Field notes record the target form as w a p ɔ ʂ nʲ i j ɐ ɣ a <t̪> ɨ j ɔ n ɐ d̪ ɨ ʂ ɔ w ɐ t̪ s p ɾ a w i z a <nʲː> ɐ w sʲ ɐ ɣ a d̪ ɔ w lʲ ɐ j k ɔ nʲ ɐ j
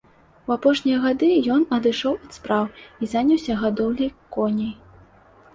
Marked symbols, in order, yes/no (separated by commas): no, no